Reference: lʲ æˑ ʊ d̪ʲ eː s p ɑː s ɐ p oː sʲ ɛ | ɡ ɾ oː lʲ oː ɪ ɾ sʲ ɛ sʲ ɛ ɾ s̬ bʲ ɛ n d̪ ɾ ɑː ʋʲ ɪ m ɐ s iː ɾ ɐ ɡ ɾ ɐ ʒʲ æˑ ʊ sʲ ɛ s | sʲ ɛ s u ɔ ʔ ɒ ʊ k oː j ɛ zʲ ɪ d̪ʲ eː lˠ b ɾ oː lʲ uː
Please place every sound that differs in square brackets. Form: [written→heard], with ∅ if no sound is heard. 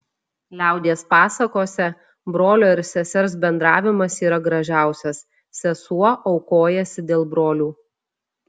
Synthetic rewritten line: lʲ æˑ ʊ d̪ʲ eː s p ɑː s ɐ [p→k] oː sʲ ɛ | [ɡ→b] ɾ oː lʲ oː ɪ ɾ sʲ ɛ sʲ ɛ ɾ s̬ bʲ ɛ n d̪ ɾ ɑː ʋʲ ɪ m ɐ s iː ɾ ɐ ɡ ɾ ɐ ʒʲ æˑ ʊ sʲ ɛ s | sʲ ɛ s u ɔ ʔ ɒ ʊ k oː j ɛ [zʲ→sʲ] ɪ d̪ʲ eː lˠ b ɾ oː lʲ uː